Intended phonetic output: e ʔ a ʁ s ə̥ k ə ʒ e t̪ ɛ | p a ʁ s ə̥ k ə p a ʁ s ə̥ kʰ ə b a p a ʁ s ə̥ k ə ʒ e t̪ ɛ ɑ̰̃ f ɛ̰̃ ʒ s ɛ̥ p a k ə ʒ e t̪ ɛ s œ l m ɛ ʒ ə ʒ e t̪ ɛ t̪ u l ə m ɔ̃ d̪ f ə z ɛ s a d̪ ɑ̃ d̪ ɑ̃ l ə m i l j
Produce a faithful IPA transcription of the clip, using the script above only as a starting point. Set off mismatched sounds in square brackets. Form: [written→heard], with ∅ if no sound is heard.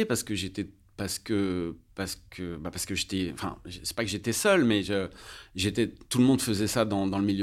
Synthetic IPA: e [ʔ→p] a ʁ s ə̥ k ə ʒ e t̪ ɛ | p a ʁ s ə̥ k ə p a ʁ s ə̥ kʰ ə b a p a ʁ s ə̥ k ə ʒ e t̪ ɛ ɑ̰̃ f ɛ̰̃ ʒ s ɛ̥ p a k ə ʒ e t̪ ɛ s œ l m ɛ ʒ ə ʒ e t̪ ɛ t̪ u l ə m ɔ̃ d̪ f ə z ɛ s a d̪ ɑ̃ d̪ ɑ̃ l ə m i l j